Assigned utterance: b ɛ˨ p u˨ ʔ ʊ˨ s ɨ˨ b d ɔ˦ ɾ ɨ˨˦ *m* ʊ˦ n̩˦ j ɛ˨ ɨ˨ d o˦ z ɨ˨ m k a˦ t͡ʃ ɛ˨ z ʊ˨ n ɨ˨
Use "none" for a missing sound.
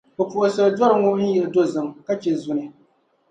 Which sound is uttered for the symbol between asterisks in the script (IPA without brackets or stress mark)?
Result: ŋ